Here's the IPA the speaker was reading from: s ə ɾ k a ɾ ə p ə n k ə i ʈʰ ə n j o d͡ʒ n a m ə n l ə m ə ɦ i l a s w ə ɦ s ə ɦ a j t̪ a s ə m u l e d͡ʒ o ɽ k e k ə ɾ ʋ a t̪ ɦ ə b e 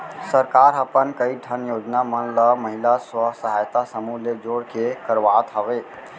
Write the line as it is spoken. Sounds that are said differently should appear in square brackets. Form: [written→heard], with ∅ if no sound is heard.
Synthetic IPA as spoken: s ə ɾ k a ɾ ə p ə n k ə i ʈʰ ə n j o d͡ʒ n a m ə n l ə m ə ɦ i l a s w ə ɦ s ə ɦ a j t̪ a s ə m u l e d͡ʒ o ɽ k e k ə ɾ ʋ a t̪ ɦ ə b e